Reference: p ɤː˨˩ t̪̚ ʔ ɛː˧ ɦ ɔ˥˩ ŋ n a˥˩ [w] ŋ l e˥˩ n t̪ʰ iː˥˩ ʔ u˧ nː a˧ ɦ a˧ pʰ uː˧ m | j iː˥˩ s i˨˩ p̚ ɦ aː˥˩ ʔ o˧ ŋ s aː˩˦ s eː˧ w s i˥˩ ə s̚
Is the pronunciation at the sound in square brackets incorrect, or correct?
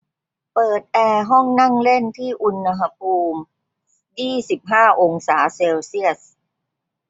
incorrect